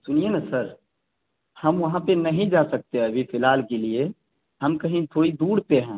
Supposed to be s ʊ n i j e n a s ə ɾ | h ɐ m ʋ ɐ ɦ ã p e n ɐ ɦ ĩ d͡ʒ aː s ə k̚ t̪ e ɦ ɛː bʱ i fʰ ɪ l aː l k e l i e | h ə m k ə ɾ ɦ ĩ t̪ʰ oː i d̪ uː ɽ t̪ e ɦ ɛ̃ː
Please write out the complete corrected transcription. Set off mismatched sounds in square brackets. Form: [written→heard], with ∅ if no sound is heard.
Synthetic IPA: s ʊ n i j e n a s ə ɾ | h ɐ m ʋ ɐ ɦ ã p e n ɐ ɦ ĩ d͡ʒ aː s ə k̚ t̪ e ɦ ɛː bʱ i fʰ ɪ l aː l k e l i e | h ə m k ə [ɾ→∅] ɦ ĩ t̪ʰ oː i d̪ uː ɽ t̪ e ɦ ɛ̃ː